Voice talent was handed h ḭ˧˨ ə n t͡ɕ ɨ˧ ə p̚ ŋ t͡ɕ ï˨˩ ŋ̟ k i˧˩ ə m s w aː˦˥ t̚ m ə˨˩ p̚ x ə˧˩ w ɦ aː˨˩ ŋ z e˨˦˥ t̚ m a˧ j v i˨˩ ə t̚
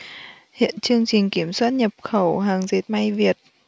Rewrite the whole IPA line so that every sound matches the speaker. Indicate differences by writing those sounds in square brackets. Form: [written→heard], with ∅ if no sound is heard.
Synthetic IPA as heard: h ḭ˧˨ ə n t͡ɕ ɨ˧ ə [p̚→∅] ŋ t͡ɕ ï˨˩ ŋ̟ k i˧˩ ə m s w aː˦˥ t̚ [m→ɲ] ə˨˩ p̚ x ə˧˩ w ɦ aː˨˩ ŋ z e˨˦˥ t̚ m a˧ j v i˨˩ ə t̚